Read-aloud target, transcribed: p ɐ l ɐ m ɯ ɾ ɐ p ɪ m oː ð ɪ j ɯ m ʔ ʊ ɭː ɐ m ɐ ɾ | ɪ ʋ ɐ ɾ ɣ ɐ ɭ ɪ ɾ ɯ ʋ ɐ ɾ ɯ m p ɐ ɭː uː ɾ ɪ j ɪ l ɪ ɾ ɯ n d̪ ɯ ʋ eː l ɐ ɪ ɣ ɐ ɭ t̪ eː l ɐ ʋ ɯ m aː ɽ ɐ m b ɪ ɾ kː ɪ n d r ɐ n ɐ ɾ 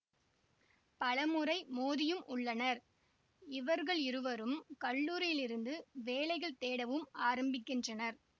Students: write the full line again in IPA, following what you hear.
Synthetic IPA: p ɐ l ɐ m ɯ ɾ ɐ ɪ m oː ð ɪ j ɯ m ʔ ʊ ɭː ɐ n ɐ ɾ | ɪ ʋ ɐ ɾ ɣ ɐ ɭ ɪ ɾ ɯ ʋ ɐ ɾ ɯ m k ɐ ɭː uː ɾ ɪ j ɪ l ɪ ɾ ɯ n d̪ ɯ ʋ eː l ɐ ɪ ɣ ɐ ɭ t̪ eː ɽ ɐ ʋ ɯ m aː ɾ ɐ m b ɪ kː ɪ n d r ɐ n ɐ ɾ